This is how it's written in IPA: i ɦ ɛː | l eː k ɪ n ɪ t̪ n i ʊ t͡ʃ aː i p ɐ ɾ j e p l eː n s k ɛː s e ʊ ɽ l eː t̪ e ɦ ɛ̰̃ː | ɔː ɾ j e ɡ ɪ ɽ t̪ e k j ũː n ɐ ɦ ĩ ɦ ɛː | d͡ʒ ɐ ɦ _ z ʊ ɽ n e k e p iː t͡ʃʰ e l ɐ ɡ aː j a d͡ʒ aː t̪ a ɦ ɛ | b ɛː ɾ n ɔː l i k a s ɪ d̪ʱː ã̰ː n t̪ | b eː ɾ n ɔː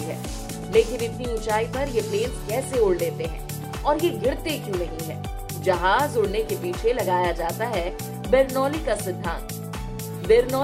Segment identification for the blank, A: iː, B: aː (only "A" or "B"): B